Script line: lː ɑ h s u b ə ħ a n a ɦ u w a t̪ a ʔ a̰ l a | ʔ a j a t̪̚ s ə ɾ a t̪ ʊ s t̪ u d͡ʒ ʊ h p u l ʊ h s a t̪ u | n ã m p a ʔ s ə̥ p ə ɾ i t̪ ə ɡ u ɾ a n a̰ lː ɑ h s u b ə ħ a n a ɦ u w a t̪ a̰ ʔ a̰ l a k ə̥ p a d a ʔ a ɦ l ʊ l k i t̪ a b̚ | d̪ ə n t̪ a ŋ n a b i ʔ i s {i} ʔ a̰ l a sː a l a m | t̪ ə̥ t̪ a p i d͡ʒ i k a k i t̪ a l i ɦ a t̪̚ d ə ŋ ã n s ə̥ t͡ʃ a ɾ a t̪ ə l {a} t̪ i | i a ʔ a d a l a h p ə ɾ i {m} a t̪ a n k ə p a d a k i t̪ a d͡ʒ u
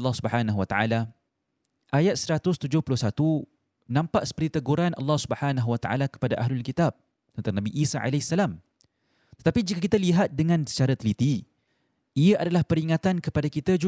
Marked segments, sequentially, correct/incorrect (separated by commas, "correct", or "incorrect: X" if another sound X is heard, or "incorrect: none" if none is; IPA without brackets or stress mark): incorrect: a, incorrect: i, incorrect: ŋ